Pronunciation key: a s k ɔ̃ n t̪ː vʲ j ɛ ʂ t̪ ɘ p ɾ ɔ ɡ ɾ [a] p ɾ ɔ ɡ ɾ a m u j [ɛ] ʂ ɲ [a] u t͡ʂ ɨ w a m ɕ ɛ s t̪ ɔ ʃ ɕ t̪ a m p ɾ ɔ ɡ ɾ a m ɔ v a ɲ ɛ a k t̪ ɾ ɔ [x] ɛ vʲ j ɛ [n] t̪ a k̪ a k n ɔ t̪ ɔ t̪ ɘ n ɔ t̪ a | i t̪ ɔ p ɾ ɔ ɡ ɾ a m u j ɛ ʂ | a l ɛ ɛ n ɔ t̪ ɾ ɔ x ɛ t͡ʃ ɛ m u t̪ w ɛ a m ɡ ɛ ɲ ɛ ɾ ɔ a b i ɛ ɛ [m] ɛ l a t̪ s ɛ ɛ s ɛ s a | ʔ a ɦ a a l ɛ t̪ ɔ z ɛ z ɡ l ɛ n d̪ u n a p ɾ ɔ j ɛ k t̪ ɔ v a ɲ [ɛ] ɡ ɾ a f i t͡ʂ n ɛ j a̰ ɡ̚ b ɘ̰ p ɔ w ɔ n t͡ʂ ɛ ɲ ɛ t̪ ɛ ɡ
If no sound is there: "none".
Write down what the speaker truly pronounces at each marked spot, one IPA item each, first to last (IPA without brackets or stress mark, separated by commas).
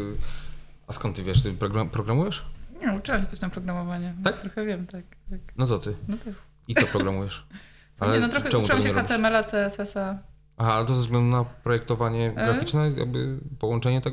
a, ɛ, ɛ, x, m, m, ɛ